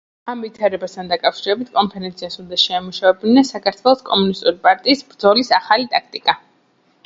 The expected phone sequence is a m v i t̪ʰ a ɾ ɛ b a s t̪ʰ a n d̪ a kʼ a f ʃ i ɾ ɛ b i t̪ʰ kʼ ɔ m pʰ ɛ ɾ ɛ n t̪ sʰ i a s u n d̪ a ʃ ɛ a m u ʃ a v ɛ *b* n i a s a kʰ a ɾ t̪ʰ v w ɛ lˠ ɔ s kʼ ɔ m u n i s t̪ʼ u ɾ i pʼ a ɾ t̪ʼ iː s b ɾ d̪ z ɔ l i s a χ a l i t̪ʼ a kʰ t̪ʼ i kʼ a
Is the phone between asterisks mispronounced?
no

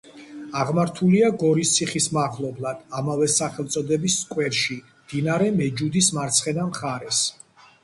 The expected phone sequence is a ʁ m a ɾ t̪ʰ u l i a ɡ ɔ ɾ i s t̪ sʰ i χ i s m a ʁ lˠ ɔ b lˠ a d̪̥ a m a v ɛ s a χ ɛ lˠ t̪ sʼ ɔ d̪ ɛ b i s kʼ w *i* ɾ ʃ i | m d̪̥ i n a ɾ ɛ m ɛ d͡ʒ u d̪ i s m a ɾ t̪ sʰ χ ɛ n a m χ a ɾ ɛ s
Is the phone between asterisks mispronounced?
yes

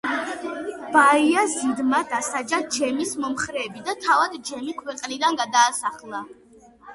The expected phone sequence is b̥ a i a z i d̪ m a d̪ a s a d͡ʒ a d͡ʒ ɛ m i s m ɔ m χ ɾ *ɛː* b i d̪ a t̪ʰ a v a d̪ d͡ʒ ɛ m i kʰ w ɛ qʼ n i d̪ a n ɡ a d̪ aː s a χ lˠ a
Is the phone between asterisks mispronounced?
no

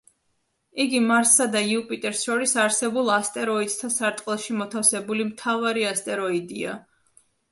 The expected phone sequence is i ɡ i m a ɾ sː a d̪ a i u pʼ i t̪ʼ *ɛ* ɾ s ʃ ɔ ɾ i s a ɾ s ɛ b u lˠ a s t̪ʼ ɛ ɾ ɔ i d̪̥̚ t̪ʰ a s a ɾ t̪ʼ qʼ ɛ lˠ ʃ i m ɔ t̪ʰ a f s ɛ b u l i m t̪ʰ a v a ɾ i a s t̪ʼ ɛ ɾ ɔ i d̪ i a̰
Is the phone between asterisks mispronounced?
no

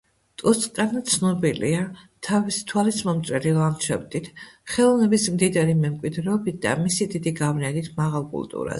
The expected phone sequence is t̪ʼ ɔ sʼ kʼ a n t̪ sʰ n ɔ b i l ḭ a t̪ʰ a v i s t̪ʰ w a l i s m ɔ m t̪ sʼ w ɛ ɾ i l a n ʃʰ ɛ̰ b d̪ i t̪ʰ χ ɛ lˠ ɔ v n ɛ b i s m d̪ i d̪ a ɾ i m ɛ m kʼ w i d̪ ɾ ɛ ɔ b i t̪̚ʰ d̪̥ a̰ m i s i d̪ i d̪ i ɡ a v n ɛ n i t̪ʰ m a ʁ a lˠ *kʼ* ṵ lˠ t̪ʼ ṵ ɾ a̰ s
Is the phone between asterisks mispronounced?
no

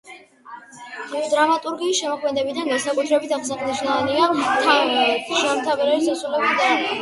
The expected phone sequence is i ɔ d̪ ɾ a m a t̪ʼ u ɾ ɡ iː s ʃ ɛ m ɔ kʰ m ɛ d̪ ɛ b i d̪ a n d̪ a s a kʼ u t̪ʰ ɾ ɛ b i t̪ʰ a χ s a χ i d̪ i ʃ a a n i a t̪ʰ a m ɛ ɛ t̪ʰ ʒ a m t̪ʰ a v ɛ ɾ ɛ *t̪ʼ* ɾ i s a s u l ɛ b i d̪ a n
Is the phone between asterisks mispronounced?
yes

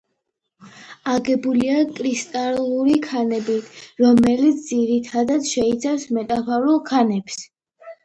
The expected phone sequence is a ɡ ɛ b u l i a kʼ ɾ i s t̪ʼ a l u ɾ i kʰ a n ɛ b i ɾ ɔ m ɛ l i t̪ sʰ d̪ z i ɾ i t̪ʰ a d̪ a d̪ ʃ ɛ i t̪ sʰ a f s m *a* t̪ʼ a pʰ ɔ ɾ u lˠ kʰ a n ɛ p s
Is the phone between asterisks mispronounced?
yes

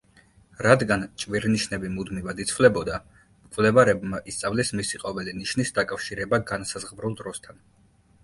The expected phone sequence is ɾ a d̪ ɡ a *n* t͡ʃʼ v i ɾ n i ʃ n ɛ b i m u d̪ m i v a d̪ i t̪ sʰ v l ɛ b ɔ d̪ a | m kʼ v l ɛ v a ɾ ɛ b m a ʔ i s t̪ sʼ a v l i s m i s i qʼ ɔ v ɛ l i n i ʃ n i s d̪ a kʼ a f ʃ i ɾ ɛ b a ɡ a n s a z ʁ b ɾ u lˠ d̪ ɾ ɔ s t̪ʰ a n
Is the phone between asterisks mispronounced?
no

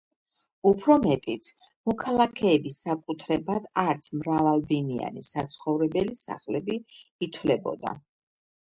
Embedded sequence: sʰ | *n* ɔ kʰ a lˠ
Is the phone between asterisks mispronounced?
yes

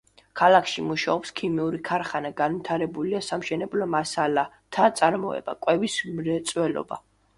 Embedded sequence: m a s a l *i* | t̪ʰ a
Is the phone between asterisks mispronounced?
yes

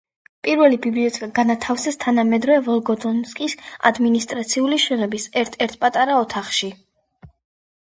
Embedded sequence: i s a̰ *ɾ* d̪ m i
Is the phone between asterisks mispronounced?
yes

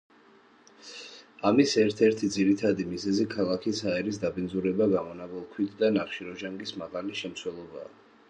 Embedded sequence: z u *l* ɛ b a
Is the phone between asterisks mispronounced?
yes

